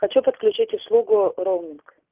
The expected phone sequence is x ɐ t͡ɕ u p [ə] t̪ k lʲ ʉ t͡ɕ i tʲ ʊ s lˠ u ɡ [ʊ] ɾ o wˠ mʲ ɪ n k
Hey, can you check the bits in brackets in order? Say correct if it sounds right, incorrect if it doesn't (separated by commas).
correct, correct